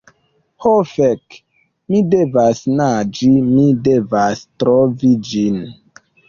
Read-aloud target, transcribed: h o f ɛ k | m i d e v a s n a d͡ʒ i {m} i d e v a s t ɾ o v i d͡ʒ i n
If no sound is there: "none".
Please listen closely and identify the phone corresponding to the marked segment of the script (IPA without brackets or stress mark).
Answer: m